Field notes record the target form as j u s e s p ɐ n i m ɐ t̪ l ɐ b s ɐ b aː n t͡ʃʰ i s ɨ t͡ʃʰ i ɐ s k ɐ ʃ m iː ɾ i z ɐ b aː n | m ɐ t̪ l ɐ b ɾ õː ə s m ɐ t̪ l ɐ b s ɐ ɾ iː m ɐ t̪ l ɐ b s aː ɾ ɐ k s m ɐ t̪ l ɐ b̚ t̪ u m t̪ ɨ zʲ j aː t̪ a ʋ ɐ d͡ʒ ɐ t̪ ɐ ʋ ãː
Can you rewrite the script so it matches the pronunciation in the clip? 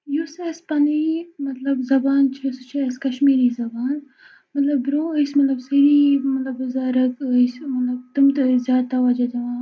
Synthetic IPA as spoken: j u s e s p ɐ n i m ɐ t̪ l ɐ b z ɐ b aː n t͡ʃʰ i s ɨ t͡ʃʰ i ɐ s k ɐ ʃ m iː ɾ i z ɐ b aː n | m ɐ t̪ l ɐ b ɾ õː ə s m ɐ t̪ l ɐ b s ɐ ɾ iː m ɐ t̪ l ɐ b z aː ɾ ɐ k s m ɐ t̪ l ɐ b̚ t̪ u m t̪ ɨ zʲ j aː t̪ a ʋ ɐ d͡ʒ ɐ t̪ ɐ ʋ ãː